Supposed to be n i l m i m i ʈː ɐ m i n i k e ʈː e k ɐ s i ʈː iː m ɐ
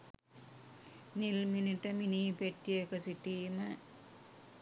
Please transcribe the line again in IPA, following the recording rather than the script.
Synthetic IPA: n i l m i n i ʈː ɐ m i n i p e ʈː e k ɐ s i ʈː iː m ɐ

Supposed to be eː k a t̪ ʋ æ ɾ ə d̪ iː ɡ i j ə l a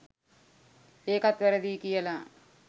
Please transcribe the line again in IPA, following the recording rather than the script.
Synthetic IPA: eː k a t̪ ʋ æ ɾ ə d̪ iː k i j ə l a

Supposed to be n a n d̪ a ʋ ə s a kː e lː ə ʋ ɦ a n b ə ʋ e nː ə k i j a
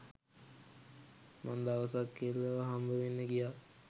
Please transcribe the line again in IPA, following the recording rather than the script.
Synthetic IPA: m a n d̪ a ʋ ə s a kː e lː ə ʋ ɦ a m b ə ʋ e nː ə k i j a

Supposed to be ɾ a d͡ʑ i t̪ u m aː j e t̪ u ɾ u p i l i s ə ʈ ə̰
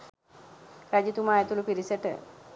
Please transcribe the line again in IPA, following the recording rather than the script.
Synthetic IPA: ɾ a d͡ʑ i t̪ u m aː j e t̪ u l u p i ɾ i s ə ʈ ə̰

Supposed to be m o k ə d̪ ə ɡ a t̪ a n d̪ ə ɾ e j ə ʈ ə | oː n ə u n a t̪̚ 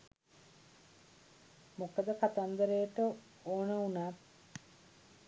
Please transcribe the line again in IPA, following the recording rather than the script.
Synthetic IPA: m o k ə d̪ ə k a t̪ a n d̪ ə ɾ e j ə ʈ ə | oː n ə u n a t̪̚

